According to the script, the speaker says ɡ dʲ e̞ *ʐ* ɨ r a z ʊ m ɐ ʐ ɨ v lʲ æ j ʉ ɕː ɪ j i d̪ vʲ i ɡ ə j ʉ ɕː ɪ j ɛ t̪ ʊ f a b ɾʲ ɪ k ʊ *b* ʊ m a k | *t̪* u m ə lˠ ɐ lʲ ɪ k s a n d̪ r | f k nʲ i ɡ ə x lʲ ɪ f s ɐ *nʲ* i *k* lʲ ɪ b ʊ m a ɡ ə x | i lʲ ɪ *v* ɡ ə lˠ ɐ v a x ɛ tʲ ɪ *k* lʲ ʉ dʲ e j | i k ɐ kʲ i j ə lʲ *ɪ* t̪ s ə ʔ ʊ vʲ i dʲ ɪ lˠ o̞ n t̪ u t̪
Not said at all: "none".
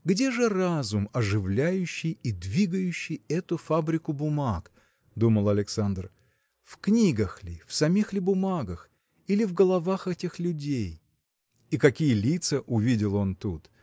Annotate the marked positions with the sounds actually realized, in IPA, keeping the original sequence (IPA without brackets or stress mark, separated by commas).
ʐ, b, d̪, mʲ, x, v, x, i